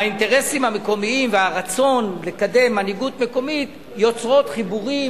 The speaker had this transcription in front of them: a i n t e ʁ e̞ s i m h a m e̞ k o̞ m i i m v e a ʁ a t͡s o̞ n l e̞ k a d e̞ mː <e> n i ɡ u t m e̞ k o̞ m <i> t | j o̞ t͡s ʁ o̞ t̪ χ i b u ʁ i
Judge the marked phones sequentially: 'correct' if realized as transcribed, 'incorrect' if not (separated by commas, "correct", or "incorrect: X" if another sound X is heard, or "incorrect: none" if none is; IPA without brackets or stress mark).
incorrect: a, correct